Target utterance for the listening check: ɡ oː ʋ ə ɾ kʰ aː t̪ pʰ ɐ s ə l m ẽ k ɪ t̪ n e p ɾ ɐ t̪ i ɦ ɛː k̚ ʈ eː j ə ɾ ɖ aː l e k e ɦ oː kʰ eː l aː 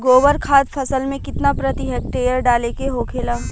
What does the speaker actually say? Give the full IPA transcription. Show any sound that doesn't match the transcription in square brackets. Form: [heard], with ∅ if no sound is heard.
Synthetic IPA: ɡ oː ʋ ə ɾ kʰ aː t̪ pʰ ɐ s ə l m ẽ k ɪ t̪ n [a] p ɾ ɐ t̪ i ɦ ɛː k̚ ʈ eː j ə ɾ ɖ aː l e k e ɦ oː kʰ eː l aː

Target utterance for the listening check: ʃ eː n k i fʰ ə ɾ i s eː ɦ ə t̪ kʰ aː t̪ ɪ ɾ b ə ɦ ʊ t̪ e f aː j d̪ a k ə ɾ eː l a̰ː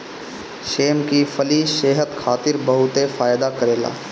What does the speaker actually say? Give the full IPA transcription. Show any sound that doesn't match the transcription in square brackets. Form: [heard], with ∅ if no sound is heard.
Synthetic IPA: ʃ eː [m] k i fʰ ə [l] i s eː ɦ ə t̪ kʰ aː t̪ ɪ ɾ b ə ɦ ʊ t̪ e f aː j d̪ a k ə ɾ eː l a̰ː

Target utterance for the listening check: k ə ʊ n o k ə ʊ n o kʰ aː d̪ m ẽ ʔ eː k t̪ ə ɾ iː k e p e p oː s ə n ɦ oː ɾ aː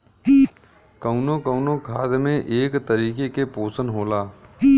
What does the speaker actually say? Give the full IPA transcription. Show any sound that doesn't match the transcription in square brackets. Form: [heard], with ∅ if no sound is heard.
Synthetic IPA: k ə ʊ n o k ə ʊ n o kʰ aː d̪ m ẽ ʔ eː k t̪ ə ɾ iː k e [k] e p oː s ə n ɦ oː [l] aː

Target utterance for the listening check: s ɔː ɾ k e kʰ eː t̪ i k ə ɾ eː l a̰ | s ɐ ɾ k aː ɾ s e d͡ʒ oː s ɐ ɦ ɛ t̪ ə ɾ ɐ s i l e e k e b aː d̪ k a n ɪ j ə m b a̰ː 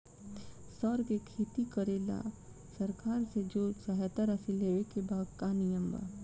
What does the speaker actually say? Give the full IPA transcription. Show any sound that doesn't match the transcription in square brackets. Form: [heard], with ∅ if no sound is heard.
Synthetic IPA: s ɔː ɾ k e kʰ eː t̪ i k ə ɾ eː l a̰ | s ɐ ɾ k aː ɾ s e d͡ʒ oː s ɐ ɦ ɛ t̪ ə ɾ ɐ s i l e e k e b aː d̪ k a n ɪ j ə m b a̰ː

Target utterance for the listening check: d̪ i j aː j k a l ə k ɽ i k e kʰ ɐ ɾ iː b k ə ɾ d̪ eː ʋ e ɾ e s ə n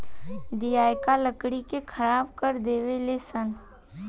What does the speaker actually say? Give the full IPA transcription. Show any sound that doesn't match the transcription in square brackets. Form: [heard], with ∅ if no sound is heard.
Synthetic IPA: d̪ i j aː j k a l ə k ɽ i k e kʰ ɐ ɾ [aː] b k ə ɾ d̪ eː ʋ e [l] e s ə n

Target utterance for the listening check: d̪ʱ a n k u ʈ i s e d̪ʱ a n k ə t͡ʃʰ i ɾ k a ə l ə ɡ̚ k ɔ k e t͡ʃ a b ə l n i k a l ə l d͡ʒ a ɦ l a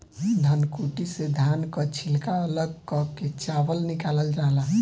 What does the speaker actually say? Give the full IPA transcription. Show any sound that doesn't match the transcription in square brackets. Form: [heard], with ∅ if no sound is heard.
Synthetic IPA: d̪ʱ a n k u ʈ i s e d̪ʱ a n k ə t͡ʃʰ i [l] k a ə l ə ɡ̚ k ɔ k e t͡ʃ a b ə l n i k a l ə l d͡ʒ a ɦ l a

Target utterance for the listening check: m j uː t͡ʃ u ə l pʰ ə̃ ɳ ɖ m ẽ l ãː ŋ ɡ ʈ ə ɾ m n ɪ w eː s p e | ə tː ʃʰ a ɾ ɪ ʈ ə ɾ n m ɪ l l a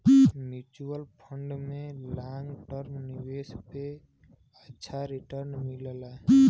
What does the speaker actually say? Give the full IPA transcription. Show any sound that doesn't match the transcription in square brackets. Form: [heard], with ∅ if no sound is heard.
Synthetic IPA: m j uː t͡ʃ u ə l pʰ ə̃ ɳ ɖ m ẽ l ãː ŋ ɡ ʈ ə ɾ m n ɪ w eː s p e | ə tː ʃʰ a ɾ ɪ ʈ ə ɾ n m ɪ l l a

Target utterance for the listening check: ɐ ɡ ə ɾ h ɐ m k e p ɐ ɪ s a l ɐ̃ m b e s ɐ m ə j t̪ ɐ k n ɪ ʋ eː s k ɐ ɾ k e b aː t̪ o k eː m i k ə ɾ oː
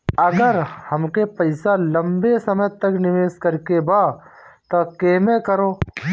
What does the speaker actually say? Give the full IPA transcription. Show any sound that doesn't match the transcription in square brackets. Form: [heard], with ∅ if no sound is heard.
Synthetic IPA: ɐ ɡ ə ɾ h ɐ m k e p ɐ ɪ s a l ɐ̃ m b e s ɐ m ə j t̪ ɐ k n ɪ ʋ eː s k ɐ ɾ k e b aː t̪ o k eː m [e] k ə ɾ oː

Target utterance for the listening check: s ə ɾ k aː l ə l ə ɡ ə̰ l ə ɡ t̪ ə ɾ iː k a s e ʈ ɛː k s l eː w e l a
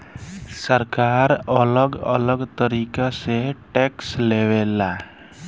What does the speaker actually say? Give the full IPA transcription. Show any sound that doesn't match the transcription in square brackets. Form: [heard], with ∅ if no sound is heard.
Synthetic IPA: s ə ɾ k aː [ɾ] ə l ə ɡ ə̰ l ə ɡ t̪ ə ɾ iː k a s e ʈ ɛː k s l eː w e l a

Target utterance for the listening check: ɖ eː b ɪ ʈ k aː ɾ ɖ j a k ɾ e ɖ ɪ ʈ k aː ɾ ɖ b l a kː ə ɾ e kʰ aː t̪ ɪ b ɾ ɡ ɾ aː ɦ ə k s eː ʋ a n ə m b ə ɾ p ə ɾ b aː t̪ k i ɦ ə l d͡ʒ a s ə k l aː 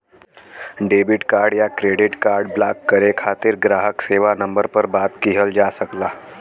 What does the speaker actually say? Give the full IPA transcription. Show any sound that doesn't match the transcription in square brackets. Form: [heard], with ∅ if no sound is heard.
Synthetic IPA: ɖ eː b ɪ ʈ k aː ɾ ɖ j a k ɾ e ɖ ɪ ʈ k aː ɾ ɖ b l a kː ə ɾ e kʰ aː t̪ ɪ [∅] ɾ ɡ ɾ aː ɦ ə k s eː ʋ a n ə m b ə ɾ p ə ɾ b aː t̪ k i ɦ ə l d͡ʒ a s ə k l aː

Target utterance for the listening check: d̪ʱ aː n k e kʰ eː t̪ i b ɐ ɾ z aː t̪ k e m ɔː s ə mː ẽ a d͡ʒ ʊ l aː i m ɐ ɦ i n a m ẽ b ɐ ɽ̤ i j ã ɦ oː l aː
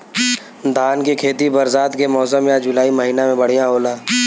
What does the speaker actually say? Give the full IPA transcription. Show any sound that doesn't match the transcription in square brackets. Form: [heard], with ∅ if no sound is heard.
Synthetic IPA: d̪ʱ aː n k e kʰ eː t̪ i b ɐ ɾ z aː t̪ k e m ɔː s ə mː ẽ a d͡ʒ ʊ l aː i m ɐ ɦ [iː] n a m ẽ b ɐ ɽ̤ i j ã ɦ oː l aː

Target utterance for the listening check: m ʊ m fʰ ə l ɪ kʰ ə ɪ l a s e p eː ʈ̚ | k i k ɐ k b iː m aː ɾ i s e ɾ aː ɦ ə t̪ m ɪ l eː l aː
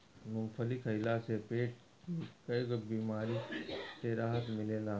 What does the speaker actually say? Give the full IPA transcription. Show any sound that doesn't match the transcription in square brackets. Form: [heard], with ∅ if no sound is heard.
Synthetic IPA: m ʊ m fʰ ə l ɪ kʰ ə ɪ l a s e p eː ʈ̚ | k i k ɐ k b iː m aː ɾ i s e ɾ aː ɦ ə t̪ m ɪ l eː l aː

